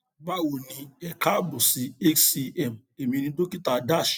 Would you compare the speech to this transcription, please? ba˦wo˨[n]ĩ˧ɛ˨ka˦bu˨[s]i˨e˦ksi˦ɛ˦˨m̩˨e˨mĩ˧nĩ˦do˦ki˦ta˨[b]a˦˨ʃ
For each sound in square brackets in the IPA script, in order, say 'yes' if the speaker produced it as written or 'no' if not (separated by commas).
yes, yes, no